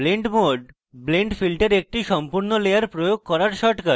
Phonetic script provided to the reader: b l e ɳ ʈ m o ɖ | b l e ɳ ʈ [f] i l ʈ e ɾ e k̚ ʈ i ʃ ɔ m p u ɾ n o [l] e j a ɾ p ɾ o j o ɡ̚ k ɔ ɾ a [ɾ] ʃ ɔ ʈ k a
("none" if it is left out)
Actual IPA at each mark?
f, l, ɾ

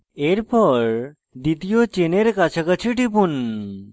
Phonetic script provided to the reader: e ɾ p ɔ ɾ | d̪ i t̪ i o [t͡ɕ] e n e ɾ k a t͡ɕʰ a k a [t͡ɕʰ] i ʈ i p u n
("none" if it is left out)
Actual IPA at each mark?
t͡ɕ, t͡ɕʰ

